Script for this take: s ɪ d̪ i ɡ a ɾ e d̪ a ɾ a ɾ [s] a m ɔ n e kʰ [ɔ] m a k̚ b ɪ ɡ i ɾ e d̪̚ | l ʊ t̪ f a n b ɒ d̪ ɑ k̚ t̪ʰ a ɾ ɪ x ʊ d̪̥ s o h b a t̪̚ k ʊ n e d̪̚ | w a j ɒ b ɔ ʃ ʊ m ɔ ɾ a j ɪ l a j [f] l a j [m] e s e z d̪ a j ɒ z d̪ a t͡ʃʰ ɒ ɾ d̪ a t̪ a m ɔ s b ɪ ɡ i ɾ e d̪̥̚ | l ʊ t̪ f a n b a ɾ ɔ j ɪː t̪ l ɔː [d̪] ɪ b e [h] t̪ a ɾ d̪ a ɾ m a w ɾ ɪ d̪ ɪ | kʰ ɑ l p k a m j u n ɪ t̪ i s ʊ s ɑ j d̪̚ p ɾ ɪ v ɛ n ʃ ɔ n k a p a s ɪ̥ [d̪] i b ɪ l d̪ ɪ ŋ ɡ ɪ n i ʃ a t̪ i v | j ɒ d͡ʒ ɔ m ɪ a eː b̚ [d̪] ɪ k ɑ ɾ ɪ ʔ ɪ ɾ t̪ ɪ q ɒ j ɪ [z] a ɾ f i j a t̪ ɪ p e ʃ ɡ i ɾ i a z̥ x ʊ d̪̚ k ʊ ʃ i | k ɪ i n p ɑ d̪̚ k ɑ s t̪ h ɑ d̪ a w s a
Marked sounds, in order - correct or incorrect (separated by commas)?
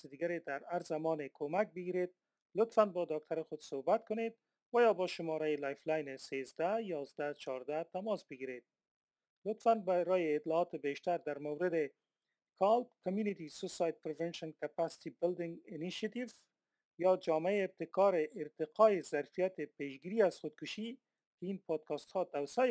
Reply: incorrect, incorrect, correct, incorrect, incorrect, incorrect, incorrect, incorrect, correct